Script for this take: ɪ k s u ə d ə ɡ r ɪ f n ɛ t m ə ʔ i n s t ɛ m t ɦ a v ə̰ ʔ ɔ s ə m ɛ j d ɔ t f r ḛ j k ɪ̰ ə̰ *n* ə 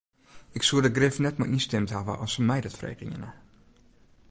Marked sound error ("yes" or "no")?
no